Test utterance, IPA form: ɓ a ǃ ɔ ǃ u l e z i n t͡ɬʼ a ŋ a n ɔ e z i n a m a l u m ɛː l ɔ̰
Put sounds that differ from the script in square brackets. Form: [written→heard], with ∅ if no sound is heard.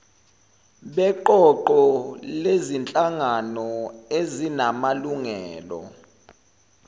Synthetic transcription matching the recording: ɓ [a→ɛ] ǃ ɔ ǃ [u→ɔ] l e z i n t͡ɬʼ a ŋ a n ɔ e z i n a m a l u [m→ŋ] ɛː l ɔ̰